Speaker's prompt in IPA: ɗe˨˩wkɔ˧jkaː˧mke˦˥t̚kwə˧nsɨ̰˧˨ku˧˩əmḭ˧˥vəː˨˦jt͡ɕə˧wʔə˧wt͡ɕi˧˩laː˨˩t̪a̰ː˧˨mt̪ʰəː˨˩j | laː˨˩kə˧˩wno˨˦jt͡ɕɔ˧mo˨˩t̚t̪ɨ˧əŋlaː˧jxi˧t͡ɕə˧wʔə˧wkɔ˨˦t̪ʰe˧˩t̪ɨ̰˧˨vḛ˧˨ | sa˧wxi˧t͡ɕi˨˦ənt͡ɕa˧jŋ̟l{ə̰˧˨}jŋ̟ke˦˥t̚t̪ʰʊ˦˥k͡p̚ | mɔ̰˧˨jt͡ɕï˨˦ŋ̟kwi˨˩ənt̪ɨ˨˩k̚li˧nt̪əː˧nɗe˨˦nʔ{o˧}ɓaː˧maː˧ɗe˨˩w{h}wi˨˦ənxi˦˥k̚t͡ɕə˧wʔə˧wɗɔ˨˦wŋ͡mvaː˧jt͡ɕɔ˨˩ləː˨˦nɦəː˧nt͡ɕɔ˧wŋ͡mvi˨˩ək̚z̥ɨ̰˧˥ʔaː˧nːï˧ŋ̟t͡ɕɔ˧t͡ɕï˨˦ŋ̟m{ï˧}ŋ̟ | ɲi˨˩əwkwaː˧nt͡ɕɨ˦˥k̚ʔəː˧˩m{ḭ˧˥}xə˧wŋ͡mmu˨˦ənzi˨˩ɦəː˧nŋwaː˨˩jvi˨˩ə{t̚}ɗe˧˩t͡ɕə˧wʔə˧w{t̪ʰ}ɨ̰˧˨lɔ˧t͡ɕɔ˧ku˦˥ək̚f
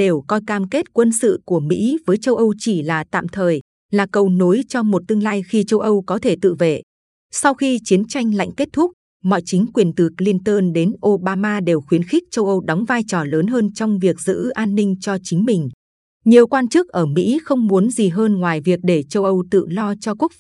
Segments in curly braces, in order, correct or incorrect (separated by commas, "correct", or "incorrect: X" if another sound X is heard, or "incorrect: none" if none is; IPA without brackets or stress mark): incorrect: a̰˧˨, correct, incorrect: x, incorrect: ï˨˩, correct, incorrect: k̚, incorrect: t̪